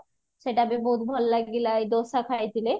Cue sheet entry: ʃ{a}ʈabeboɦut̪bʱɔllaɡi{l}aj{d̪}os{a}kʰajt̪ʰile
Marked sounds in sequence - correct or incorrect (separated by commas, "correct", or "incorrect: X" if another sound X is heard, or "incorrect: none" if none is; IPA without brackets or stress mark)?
incorrect: e, correct, correct, correct